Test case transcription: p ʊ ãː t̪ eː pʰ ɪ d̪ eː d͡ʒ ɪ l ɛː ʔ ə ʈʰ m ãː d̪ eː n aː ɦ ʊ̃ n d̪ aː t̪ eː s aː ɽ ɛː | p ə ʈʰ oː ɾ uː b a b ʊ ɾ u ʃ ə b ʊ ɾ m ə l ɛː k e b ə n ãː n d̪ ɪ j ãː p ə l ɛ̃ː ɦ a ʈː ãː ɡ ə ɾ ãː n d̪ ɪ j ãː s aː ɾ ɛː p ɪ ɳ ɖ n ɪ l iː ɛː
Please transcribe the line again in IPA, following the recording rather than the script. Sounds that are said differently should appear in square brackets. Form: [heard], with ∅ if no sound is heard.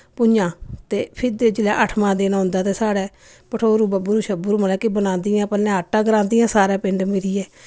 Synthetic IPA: p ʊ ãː t̪ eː pʰ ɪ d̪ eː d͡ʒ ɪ l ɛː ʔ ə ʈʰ m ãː d̪ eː n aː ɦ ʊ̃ n d̪ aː t̪ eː s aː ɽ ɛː | p ə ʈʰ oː ɾ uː b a b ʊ ɾ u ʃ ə b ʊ ɾ m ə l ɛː k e b ə n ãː n d̪ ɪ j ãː p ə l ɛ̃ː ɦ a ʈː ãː ɡ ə ɾ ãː n d̪ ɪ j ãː s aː ɾ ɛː p ɪ ɳ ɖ [m] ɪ [ɾ] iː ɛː